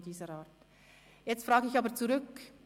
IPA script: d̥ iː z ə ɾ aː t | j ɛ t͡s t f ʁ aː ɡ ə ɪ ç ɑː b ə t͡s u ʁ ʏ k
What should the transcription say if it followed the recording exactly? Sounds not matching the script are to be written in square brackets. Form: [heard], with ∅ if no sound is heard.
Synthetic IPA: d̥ iː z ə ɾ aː t | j ɛ t͡s t f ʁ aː ɡ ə ɪ ç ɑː b ə t͡s u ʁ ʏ k